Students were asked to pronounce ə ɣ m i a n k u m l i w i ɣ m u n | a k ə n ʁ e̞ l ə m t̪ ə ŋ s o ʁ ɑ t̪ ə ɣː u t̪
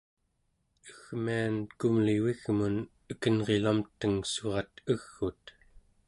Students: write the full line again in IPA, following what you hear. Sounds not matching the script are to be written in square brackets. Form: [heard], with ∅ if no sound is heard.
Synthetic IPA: ə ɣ m i a n k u m l i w i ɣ m u n | [ə] k ə n ʁ e̞ l [a] m t̪ ə ŋ s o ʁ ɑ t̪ ə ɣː u t̪

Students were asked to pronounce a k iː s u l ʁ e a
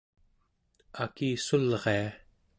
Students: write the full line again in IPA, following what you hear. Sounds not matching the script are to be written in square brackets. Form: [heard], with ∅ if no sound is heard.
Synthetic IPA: a k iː s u l ʁ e a

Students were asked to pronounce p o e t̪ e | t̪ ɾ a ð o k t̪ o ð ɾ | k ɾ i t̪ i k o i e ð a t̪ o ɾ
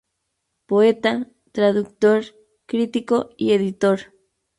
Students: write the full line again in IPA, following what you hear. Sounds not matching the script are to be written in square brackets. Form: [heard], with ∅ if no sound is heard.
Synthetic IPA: p o e t̪ [a] | t̪ ɾ a ð [u] k t̪ o [∅] ɾ | k ɾ i t̪ i k o i e ð [i] t̪ o ɾ

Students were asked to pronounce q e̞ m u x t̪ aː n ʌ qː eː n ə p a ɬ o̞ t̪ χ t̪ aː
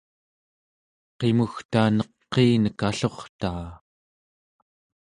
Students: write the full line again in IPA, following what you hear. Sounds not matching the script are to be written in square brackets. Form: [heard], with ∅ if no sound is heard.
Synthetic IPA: q e̞ m u x t̪ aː n ʌ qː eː n ə [k] a ɬ o̞ [∅] χ t̪ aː

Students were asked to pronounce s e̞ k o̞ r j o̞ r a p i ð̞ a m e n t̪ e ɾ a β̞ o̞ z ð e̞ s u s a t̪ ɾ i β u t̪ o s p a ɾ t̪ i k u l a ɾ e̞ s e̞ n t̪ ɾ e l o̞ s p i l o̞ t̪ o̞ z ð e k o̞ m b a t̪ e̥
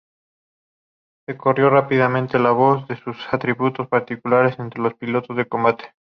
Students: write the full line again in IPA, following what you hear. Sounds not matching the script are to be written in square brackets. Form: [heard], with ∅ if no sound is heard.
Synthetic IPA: s e̞ k o̞ r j o̞ r a p i ð̞ a m [ẽ] n t̪ e [l] a β̞ o̞ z ð e̞ s u s a t̪ ɾ i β u t̪ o s p a ɾ t̪ i k u l a ɾ e̞ s e̞ n t̪ ɾ e l o̞ s p i l o̞ t̪ o̞ z ð e k o̞ m b a t̪ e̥

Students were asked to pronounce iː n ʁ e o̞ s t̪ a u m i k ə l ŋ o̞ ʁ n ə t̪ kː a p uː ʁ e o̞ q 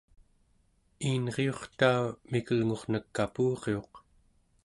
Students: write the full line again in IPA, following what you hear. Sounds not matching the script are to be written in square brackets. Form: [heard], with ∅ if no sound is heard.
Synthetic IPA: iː n ʁ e o̞ [χ] t̪ a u m i k ə l ŋ o̞ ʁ n ə [∅] kː a p uː ʁ e o̞ q

